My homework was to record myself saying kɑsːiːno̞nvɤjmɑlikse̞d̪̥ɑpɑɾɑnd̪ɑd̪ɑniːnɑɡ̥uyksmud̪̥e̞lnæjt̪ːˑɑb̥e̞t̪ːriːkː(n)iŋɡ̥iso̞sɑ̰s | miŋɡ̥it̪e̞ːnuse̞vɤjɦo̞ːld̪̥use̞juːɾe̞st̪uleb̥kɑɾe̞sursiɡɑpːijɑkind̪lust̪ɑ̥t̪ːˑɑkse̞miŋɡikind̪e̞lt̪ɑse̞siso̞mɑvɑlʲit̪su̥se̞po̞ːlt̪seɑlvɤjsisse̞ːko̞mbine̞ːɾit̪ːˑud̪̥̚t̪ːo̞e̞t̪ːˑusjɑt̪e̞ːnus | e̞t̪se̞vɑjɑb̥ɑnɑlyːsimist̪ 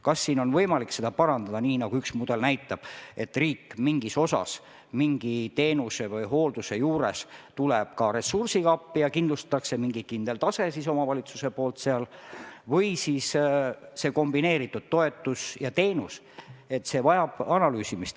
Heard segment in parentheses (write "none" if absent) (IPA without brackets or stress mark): m